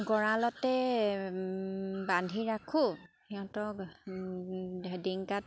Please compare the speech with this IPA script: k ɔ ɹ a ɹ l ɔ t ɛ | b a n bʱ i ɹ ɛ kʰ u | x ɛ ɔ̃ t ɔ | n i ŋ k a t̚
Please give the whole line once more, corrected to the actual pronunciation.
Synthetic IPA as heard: ɡ ɔ ɹ a l ɔ t ɛ | b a n dʱ i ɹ a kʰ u | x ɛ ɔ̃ t ɔ | d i ŋ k a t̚

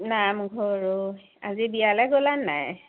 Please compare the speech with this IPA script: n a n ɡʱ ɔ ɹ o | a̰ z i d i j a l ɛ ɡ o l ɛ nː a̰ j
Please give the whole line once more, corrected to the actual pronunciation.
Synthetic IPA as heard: n a m ɡʱ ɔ ɹ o | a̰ z i b i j a l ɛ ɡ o l a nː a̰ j

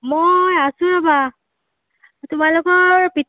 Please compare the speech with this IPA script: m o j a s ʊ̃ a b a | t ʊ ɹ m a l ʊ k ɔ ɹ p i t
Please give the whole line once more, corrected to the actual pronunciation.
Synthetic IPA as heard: m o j a s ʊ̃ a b a | t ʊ m a l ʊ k ɔ ɹ p i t

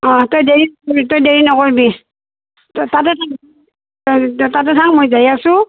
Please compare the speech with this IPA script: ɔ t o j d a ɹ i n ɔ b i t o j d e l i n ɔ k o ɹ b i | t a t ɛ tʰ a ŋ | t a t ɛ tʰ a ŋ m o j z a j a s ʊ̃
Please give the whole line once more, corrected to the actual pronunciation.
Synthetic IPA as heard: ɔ t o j d e ɹ i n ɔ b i t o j d e ɹ i n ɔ k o ɹ b i | t a t ɛ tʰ a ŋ | t a t ɛ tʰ a ŋ m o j z a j a s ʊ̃

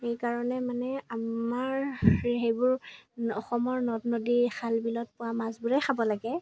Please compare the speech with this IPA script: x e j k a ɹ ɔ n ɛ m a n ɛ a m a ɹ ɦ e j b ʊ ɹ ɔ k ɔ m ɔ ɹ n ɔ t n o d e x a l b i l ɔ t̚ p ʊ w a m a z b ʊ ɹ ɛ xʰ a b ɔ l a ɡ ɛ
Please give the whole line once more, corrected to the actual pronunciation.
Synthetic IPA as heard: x e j k a ɹ ɔ n ɛ m a n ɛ a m a ɹ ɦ e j b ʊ ɹ ɔ x ɔ m ɔ ɹ n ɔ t n o d i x a l b i l ɔ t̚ p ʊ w a m a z b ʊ ɹ ɛ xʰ a b ɔ l a ɡ ɛ

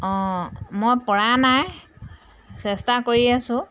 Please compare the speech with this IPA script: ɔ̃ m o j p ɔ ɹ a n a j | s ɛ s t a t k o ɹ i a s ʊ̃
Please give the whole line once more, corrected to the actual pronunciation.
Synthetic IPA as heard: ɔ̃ m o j p ɔ ɹ a n a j | s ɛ s t a k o ɹ i a s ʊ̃

